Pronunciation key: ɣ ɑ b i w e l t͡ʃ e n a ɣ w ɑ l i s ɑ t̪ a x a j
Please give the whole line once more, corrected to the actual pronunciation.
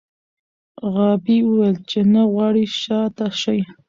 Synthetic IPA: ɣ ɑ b i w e l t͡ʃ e n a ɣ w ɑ ɽ i ʃ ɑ t̪ a ʃ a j